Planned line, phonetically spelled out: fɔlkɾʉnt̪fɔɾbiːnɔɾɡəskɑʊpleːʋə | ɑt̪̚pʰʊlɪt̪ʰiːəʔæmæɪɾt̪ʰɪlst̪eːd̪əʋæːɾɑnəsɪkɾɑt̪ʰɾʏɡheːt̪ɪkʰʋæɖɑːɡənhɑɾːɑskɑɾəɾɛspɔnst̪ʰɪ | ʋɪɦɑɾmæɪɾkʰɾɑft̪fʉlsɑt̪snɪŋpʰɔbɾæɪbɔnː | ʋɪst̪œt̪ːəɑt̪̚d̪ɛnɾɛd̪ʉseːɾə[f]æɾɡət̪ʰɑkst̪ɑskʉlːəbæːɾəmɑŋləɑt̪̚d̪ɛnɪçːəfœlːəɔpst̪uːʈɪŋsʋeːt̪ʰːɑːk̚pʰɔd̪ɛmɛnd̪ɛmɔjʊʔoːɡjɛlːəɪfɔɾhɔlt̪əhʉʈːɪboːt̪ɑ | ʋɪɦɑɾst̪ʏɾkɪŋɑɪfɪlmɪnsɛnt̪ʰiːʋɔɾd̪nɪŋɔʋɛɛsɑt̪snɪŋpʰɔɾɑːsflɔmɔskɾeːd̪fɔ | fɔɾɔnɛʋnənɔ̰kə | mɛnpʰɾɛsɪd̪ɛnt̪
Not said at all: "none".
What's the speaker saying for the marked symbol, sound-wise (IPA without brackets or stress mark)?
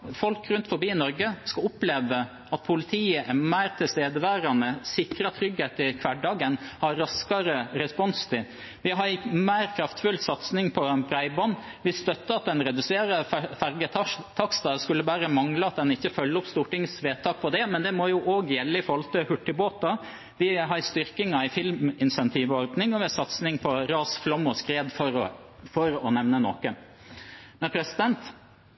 f